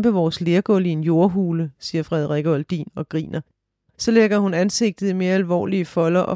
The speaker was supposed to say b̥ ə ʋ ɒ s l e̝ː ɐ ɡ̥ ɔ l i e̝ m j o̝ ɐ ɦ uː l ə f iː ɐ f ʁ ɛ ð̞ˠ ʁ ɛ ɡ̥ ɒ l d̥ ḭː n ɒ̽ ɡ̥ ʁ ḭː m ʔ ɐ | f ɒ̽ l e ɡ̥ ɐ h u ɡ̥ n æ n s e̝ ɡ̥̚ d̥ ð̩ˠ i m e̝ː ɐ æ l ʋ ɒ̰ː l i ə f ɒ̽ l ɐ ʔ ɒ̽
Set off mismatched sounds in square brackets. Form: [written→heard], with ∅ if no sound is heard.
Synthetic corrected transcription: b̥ ə ʋ [ɒ→ɒː] s l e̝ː ɐ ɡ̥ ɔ l i e̝ [m→n] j o̝ ɐ ɦ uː l ə [f→s] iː ɐ f ʁ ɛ ð̞ˠ ʁ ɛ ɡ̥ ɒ l d̥ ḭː n ɒ̽ ɡ̥ ʁ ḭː [m→n] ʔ ɐ | [f→s] ɒ̽ l e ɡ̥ ɐ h u [ɡ̥→∅] n æ n s e̝ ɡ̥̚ d̥ ð̩ˠ i m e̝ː ɐ æ l ʋ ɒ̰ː l i ə f ɒ̽ l ɐ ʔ ɒ̽